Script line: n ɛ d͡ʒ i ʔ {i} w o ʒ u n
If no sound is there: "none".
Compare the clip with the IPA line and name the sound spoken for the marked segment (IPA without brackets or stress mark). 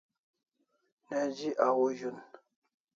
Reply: a